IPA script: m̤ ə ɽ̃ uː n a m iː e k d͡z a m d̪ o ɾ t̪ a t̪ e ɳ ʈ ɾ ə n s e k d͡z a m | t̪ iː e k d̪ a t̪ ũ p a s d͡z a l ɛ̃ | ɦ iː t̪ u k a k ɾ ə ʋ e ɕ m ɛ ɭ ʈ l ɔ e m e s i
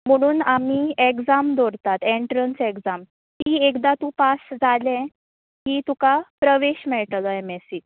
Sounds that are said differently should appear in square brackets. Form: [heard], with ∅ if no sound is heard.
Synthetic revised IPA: m̤ ə ɽ̃ uː n a m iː e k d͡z a m d̪ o ɾ t̪ a t̪ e ɳ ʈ ɾ ə n s e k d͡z a m | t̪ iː e k d̪ a t̪ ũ p a s d͡z a l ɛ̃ | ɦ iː t̪ u k a [p] ɾ ə ʋ e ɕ m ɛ ɭ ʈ l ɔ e m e s i